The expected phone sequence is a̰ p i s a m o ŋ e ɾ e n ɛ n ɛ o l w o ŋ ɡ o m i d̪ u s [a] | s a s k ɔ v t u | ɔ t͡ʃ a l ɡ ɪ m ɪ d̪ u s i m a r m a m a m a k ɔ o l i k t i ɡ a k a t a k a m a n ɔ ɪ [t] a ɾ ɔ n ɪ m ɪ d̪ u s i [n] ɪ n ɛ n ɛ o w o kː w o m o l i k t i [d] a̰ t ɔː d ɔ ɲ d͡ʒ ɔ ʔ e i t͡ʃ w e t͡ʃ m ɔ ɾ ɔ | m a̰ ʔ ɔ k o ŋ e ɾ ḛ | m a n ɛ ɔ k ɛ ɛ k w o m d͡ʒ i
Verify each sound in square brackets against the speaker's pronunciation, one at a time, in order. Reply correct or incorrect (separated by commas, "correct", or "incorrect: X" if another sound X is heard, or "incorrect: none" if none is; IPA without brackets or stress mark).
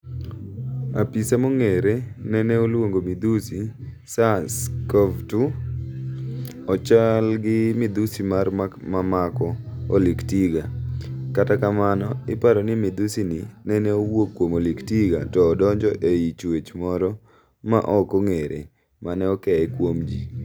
incorrect: i, incorrect: p, correct, incorrect: ɡ